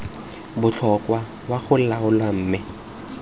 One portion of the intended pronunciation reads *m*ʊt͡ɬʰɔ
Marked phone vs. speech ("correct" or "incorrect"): incorrect